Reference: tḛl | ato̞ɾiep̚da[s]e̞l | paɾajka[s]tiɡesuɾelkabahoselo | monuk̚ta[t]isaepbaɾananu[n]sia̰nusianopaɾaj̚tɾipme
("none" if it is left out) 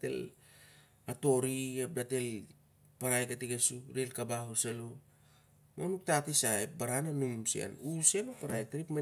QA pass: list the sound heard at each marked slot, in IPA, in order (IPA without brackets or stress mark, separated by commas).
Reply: t, none, t, m